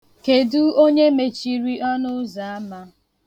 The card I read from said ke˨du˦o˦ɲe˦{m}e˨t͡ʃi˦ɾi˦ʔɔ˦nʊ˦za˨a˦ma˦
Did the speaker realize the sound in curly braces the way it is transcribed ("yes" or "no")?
yes